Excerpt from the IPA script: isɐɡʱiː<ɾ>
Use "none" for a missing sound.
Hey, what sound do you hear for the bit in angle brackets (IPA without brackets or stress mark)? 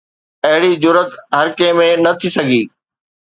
none